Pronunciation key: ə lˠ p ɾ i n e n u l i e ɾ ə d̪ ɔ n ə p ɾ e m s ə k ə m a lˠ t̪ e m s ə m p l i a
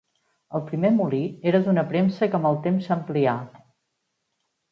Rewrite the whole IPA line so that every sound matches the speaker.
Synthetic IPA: ə lˠ p ɾ i m e m u l i e ɾ ə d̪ u n ə p ɾ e m s ə k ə m ə lˠ t̪ e m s ə m p l i a